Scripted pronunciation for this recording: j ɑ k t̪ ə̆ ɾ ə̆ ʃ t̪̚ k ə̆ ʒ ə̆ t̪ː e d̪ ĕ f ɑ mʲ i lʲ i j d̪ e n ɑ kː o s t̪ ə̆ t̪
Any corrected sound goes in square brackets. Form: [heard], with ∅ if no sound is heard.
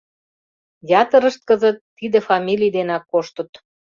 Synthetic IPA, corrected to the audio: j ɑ [∅] t̪ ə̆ ɾ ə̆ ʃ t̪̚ k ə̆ [z] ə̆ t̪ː [i] d̪ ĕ f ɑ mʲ i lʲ i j d̪ e n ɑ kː o [ʃ] t̪ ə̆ t̪